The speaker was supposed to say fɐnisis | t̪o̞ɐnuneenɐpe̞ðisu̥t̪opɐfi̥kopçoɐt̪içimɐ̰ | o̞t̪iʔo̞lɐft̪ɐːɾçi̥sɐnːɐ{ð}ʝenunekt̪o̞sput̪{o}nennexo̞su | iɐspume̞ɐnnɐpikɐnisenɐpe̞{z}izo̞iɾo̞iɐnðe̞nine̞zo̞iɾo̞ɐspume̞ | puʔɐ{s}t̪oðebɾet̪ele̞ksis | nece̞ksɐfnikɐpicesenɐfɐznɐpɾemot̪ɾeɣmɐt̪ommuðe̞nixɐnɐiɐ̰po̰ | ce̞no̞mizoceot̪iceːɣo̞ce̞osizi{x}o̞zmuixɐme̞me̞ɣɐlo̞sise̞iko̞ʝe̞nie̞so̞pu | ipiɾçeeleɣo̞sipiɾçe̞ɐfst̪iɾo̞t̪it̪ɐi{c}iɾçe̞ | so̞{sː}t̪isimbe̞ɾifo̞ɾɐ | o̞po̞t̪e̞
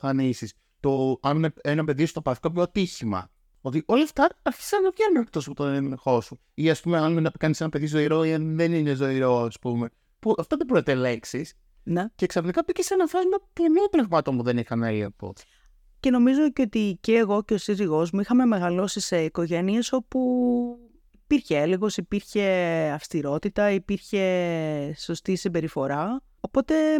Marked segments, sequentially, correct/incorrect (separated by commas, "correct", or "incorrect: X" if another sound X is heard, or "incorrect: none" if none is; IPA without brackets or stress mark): incorrect: v, correct, incorrect: ð, incorrect: f, incorrect: ɣ, incorrect: p, incorrect: s